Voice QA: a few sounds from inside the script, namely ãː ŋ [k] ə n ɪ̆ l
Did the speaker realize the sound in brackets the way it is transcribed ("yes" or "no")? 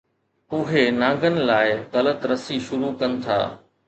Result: no